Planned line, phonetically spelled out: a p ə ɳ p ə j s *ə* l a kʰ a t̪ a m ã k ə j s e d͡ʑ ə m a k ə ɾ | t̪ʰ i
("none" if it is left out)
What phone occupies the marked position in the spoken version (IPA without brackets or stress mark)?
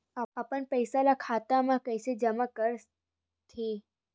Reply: a